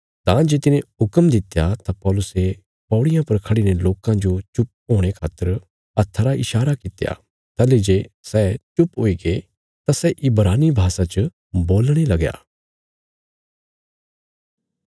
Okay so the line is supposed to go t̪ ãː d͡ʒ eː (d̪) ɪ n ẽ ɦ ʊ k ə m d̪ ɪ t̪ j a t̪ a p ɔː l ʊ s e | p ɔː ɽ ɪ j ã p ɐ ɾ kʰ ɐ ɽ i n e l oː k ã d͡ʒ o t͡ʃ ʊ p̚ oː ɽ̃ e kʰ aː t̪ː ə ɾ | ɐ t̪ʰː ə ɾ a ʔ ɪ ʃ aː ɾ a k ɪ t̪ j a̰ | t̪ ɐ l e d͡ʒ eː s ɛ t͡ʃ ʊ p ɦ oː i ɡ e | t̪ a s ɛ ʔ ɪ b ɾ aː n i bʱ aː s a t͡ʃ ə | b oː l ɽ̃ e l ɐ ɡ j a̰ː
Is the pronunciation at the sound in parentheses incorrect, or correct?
incorrect